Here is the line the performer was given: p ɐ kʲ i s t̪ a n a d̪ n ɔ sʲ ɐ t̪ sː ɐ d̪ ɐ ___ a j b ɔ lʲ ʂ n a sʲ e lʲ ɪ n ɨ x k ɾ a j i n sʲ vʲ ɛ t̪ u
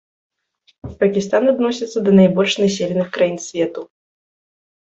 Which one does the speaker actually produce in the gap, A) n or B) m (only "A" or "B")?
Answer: A